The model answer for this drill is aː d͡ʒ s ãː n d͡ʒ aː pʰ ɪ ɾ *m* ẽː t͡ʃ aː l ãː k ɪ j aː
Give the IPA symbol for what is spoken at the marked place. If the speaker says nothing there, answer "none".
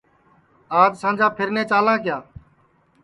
n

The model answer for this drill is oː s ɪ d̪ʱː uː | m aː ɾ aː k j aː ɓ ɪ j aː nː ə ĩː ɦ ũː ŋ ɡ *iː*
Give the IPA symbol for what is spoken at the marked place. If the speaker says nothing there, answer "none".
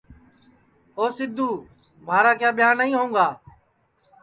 aː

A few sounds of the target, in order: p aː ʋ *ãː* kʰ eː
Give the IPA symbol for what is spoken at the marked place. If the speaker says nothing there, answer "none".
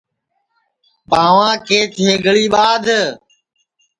ãː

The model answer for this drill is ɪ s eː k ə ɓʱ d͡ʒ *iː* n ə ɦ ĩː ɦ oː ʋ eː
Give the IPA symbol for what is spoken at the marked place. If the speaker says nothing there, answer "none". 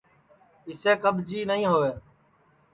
iː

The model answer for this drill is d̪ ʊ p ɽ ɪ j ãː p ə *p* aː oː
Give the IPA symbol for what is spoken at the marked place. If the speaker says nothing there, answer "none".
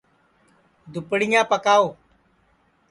k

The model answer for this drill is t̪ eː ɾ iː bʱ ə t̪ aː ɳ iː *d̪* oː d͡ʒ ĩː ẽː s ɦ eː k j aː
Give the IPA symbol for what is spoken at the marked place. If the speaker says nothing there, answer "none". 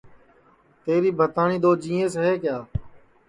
d̪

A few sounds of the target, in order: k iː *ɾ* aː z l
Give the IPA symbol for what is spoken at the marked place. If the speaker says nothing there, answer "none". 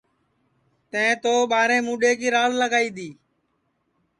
ɾ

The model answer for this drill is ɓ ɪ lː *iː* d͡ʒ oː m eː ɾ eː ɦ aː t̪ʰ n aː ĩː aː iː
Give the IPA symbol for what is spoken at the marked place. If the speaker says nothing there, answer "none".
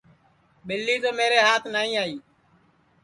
iː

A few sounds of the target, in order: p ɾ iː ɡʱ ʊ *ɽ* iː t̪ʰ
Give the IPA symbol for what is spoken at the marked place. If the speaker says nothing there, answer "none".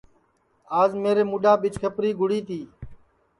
ɽ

